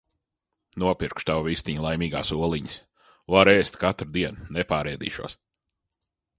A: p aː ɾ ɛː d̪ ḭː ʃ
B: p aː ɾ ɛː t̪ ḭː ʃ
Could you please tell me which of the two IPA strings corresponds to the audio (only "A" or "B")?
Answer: A